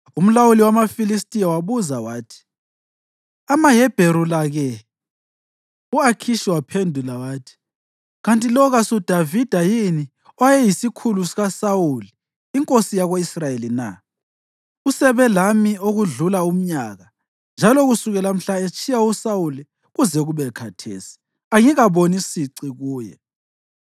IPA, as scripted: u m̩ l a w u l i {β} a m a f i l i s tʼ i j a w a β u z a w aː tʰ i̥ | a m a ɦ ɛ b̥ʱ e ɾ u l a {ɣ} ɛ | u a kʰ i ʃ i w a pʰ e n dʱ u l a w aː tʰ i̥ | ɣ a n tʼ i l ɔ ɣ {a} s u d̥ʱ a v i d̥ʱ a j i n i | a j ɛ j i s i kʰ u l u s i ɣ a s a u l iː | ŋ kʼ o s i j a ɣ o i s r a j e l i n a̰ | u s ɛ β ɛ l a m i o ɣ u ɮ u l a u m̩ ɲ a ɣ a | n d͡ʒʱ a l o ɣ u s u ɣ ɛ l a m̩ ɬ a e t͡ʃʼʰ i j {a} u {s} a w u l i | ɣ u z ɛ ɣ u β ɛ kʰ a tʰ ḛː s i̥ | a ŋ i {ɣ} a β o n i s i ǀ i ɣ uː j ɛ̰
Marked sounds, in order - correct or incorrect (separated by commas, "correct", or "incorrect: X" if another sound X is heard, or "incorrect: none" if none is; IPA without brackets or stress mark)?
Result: incorrect: w, correct, correct, correct, correct, correct